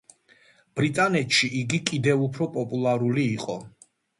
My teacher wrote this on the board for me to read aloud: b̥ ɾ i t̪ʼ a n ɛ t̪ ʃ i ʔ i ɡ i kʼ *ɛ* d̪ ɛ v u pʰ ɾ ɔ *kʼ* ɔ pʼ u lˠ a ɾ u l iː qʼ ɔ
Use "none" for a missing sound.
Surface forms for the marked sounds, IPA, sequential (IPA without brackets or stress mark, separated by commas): i, pʼ